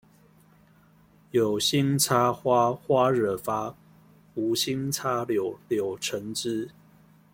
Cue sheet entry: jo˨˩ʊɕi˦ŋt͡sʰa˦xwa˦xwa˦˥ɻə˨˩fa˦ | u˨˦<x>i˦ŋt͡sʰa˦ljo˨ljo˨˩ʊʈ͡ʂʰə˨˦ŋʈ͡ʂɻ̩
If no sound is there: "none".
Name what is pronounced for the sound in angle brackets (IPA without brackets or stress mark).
ɕ